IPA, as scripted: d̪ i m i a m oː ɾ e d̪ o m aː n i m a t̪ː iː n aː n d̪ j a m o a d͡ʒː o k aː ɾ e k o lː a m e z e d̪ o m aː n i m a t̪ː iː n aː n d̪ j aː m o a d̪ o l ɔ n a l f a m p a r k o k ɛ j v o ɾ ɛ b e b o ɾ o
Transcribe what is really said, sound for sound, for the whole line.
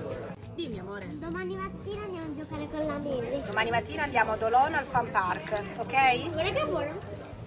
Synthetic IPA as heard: d̪ i m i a m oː ɾ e d̪ o m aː n i m a t̪ː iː n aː n d̪ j a m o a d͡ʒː o k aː ɾ e k o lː a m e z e d̪ o m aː n i m a t̪ː iː n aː n d̪ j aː m o a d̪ o l ɔ n a l f a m p a r k o k ɛ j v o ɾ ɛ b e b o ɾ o